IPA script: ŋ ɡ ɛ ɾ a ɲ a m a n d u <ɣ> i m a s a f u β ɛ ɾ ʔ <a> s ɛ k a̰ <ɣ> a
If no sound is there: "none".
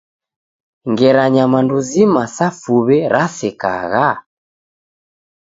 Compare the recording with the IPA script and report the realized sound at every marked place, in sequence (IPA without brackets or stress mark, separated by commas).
z, a, ɣ